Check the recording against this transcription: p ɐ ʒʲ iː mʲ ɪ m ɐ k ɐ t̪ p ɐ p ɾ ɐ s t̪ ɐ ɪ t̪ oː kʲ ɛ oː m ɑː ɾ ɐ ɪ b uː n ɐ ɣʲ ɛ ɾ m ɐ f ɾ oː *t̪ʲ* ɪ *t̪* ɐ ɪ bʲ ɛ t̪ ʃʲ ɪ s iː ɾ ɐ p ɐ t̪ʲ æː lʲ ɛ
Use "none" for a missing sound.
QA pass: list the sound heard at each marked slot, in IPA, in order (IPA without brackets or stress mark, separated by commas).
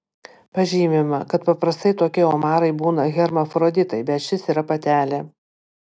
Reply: d̪ʲ, t̪